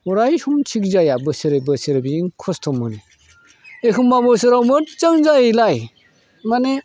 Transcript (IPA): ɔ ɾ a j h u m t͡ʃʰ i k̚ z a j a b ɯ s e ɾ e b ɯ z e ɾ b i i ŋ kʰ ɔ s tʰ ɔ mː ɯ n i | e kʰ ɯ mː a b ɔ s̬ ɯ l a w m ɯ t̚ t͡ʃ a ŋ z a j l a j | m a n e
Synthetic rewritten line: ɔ ɾ a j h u m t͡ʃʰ i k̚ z a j a b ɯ s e ɾ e b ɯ s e ɾ b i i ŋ kʰ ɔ s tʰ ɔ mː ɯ n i | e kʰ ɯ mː a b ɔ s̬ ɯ ɾ a w m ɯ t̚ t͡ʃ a ŋ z a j l a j | m a n e

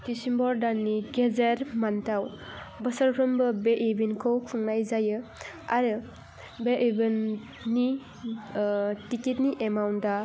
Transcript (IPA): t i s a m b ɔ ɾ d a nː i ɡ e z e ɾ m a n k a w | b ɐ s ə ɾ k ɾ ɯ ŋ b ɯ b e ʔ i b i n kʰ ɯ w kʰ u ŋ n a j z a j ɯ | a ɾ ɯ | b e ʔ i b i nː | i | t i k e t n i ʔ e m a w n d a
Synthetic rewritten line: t i s i m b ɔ ɾ d a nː i ɡ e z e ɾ m a n t a w | b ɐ s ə ɾ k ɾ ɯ m b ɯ b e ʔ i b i n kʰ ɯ w kʰ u ŋ n a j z a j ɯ | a ɾ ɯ | b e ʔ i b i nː | i | t i k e t n i ʔ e m a w n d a

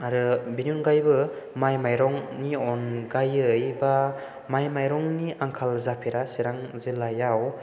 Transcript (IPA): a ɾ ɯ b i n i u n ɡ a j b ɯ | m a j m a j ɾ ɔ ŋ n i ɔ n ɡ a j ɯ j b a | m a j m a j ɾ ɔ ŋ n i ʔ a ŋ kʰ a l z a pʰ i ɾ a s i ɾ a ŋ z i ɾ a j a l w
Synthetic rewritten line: a ɾ ɯ b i n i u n ɡ a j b ɯ | m a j m a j ɾ ɔ ŋ n i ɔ n ɡ a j ɯ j b a | m a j m a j ɾ ɔ ŋ n i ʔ a ŋ kʰ a l z a pʰ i ɾ a s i ɾ a ŋ z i l a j a w

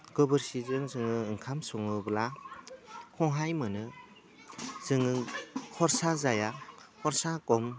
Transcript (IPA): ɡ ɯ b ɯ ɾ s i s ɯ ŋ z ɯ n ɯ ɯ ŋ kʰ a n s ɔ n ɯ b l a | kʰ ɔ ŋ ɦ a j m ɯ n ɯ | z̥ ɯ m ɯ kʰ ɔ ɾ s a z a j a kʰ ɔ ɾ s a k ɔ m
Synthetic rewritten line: ɡ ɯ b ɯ ɾ s i z ɯ ŋ z ɯ ŋ ɯ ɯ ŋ kʰ a m s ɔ ŋ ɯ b l a | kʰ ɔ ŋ ɦ a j m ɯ n ɯ | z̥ ɯ ŋ ɯ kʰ ɔ ɾ s a z a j a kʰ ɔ ɾ s a k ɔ m

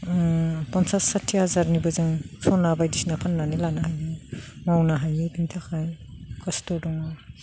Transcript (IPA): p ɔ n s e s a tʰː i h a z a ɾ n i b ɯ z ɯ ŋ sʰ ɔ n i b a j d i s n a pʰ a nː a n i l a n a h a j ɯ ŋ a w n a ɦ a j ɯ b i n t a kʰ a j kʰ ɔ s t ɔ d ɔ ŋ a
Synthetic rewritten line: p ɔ n s a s a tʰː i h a z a ɾ n i b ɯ z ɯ ŋ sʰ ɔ n a b a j d i s n a pʰ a nː a n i l a n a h a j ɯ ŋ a w n a ɦ a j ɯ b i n tʰ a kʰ a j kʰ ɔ s t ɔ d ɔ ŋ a

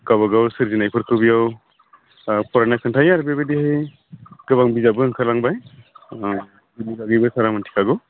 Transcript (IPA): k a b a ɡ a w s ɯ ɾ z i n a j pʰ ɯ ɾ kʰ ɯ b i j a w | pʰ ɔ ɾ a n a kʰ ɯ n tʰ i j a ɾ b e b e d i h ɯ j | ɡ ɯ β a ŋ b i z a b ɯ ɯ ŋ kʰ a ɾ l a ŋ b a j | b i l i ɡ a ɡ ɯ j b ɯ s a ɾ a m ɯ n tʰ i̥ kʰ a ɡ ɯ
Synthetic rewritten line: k a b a ɡ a w s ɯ ɾ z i n a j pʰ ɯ ɾ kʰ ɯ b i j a w | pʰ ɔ ɾ a n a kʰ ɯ n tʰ a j a ɾ b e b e d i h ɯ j | ɡ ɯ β a ŋ b i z a b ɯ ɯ ŋ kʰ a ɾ l a ŋ b a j | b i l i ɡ a ɡ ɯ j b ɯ s a ɾ a m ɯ n tʰ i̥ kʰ a ɡ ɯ

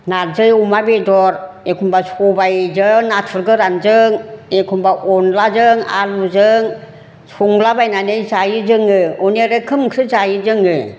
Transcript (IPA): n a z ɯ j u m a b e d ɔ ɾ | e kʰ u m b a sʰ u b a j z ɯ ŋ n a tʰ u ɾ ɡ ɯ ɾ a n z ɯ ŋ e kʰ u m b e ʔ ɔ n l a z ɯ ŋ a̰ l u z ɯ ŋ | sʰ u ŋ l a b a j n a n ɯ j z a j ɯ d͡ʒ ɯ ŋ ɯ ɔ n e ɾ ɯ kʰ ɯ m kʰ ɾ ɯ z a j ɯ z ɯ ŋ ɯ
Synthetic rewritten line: n a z ɯ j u m a b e d ɔ ɾ | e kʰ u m b a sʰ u b a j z ɯ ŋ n a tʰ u ɾ ɡ ɯ ɾ a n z ɯ ŋ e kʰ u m b a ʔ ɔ n l a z ɯ ŋ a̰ l u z ɯ ŋ | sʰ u ŋ l a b a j n a n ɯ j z a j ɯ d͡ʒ ɯ ŋ ɯ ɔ n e ɾ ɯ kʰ ɯ m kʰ ɾ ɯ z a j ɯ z ɯ ŋ ɯ

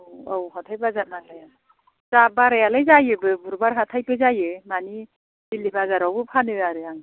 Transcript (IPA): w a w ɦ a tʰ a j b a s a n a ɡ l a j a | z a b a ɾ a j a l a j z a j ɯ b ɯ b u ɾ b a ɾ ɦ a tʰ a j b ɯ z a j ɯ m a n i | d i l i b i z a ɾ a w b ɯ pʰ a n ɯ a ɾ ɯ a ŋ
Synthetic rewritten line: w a w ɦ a tʰ a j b a z a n a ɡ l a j a | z a b a ɾ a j a l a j z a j ɯ b ɯ b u ɾ b a ɾ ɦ a tʰ a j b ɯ z a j ɯ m a n i | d i l i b a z a ɾ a w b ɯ pʰ a n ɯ a ɾ ɯ a ŋ

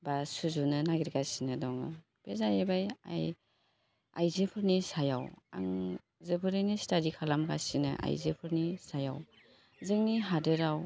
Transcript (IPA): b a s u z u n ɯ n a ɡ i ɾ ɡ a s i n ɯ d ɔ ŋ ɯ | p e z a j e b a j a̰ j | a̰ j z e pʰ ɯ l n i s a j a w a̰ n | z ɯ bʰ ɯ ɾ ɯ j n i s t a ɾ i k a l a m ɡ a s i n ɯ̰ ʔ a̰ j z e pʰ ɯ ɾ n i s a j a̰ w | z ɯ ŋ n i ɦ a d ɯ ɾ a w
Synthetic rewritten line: b a s u z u n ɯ n a ɡ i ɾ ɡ a s i n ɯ d ɔ ŋ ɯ | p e z a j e b a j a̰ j | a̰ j z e pʰ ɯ ɾ n i s a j a w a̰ ŋ | z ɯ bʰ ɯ ɾ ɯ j n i s t a ɾ i kʰ a l a m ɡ a s i n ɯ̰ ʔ a̰ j z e pʰ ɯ ɾ n i s a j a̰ w | z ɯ ŋ n i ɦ a d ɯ ɾ a w

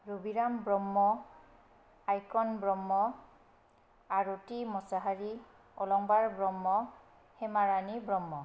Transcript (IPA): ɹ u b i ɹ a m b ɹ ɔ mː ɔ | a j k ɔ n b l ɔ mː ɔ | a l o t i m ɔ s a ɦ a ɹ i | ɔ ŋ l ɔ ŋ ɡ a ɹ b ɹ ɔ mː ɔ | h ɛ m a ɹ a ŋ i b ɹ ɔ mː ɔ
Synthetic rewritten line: ɹ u b i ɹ a m b ɹ ɔ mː ɔ | a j k ɔ n b ɹ ɔ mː ɔ | a ɹ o t i m ɔ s a ɦ a ɹ i | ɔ l ɔ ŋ b a ɹ b ɹ ɔ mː ɔ | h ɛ m a ɹ a n i b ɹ ɔ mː ɔ

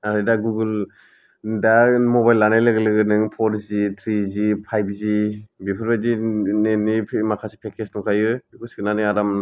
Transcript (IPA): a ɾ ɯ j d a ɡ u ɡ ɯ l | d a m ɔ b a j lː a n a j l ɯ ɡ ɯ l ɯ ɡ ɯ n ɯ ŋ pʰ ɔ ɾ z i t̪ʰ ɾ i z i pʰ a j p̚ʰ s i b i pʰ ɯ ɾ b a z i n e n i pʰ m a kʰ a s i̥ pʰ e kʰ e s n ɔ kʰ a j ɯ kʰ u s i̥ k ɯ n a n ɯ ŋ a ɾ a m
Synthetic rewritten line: a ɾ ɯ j d a ɡ u ɡ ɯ l | d a m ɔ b a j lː a n a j l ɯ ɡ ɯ l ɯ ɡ ɯ n ɯ ŋ pʰ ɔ ɾ z i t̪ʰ ɾ i z i pʰ a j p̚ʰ z i b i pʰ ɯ ɾ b a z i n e n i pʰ m a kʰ a s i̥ pʰ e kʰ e s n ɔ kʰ a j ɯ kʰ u s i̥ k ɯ n a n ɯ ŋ a ɾ a m

